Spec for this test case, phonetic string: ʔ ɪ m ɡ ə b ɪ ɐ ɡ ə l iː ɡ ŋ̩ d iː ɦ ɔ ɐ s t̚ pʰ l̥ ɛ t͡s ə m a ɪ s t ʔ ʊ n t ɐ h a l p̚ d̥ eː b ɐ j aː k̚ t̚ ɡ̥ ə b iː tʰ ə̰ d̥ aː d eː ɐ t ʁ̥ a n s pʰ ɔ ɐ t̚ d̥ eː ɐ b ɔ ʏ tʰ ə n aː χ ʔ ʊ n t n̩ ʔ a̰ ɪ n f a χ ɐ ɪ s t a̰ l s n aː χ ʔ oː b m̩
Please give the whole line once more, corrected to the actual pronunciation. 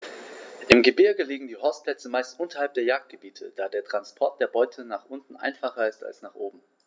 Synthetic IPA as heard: ʔ ɪ m ɡ ə b ɪ ɐ ɡ ə l iː ɡ ŋ̩ d iː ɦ ɔ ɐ s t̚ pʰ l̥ ɛ t͡s ə m a ɪ s t ʔ ʊ n t ɐ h a l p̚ d̥ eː ɐ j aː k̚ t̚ ɡ̥ ə b iː tʰ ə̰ d̥ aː d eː ɐ t ʁ̥ a n s pʰ ɔ ɐ t̚ d̥ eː ɐ b ɔ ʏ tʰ ə n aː χ ʔ ʊ n t n̩ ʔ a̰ ɪ n f a χ ɐ ɪ s t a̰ l s n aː χ ʔ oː b m̩